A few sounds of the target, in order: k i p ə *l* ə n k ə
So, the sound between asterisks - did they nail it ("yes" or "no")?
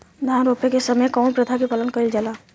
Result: yes